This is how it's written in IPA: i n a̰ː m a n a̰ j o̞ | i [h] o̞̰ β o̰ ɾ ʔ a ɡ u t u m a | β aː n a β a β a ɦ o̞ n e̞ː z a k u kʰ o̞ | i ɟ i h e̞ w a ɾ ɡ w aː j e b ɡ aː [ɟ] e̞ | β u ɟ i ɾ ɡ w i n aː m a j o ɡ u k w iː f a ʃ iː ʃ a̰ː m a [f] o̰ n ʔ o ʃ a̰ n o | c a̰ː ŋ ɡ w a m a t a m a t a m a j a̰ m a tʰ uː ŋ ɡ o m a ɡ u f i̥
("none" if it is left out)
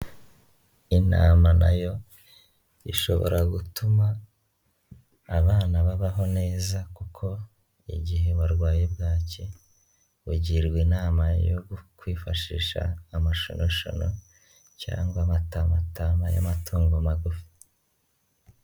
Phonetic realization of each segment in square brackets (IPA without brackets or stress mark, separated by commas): ʃ, c, ʃ